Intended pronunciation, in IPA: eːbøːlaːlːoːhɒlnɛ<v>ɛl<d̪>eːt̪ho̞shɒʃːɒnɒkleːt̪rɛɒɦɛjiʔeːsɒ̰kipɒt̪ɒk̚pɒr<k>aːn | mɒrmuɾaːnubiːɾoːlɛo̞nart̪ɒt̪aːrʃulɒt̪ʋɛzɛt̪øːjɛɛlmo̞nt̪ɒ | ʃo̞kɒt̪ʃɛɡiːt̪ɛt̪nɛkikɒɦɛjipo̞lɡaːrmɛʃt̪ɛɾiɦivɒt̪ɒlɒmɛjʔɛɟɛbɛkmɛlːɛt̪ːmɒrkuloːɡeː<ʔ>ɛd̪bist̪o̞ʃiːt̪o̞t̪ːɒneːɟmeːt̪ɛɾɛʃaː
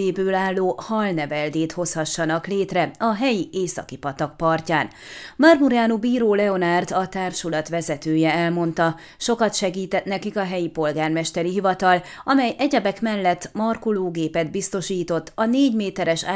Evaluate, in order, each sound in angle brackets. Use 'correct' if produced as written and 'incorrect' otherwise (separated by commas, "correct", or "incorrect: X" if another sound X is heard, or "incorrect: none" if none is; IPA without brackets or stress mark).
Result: correct, correct, incorrect: c, incorrect: p